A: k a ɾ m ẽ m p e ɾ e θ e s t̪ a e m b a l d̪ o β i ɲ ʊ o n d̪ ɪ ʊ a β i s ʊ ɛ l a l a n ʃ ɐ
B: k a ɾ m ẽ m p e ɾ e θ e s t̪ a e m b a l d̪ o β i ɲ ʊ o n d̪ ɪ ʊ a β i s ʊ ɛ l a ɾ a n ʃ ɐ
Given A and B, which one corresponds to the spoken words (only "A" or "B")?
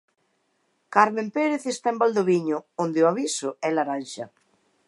B